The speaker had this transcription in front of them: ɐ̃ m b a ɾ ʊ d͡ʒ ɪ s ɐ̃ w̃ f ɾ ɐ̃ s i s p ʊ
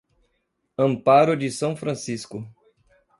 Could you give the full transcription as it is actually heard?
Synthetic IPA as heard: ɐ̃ m p a ɾ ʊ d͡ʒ ɪ s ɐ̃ w̃ f ɾ ɐ̃ s i s k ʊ